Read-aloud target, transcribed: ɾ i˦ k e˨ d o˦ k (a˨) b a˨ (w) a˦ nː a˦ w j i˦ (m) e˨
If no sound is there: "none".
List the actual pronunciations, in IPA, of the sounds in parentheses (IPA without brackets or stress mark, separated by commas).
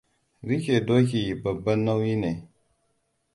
i˨, b, n